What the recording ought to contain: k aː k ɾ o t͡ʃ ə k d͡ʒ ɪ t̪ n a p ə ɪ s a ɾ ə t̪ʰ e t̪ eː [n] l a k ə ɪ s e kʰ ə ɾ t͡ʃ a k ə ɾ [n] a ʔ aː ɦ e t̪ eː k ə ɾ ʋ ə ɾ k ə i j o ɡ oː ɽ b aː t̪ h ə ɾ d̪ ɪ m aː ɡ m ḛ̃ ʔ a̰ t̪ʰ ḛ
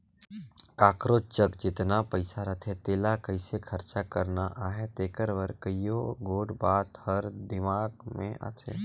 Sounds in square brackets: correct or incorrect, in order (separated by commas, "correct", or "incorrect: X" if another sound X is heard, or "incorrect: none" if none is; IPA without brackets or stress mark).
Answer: incorrect: none, correct